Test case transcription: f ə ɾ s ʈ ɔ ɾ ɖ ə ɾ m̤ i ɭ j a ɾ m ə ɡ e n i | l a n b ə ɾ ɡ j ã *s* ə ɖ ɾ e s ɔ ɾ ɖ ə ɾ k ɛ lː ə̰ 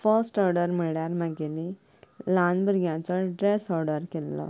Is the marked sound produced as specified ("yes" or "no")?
no